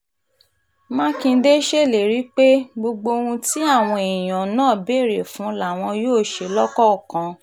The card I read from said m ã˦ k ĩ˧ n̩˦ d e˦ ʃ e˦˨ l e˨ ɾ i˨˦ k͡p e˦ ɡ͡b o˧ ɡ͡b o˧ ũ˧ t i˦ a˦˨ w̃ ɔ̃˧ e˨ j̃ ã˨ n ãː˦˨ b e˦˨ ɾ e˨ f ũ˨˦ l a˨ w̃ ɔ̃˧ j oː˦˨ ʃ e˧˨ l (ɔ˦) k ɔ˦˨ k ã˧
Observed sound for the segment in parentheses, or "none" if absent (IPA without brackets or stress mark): ɔ˦